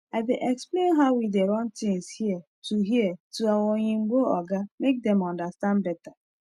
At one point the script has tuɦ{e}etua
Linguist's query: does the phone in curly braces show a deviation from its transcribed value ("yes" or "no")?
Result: yes